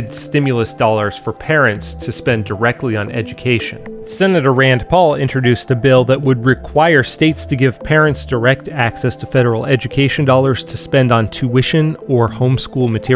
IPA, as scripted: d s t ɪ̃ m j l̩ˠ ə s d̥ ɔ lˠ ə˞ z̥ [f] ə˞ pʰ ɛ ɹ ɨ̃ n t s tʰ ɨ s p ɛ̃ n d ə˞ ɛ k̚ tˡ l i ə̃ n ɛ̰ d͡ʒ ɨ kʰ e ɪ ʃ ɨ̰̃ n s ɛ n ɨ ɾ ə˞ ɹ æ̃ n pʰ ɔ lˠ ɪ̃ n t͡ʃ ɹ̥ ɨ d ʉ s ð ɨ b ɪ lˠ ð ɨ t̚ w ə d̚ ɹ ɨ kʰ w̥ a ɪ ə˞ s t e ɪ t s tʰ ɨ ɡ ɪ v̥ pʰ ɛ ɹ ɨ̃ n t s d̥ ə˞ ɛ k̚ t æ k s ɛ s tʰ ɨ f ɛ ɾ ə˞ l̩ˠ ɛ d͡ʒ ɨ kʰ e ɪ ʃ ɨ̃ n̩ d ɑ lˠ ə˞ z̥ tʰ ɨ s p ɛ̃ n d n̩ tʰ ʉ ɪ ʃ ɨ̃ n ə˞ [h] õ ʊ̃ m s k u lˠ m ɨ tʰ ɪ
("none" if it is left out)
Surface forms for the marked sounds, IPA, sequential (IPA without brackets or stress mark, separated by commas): f, h